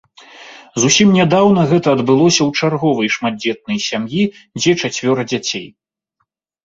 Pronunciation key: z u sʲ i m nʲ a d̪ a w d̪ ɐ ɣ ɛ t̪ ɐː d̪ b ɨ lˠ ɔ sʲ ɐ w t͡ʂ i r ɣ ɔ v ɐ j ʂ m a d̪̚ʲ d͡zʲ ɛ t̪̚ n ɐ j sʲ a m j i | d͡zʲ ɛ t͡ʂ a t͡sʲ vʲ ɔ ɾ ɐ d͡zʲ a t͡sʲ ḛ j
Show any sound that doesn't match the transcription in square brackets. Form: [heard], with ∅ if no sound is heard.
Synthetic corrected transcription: z u sʲ i m nʲ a d̪ a w [n̪] ɐ ɣ ɛ t̪ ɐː d̪ b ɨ lˠ ɔ sʲ ɐ w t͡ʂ [a] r ɣ ɔ v ɐ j ʂ m a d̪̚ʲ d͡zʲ ɛ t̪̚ n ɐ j sʲ a m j i | d͡zʲ ɛ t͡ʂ a t͡sʲ vʲ ɔ ɾ ɐ d͡zʲ a t͡sʲ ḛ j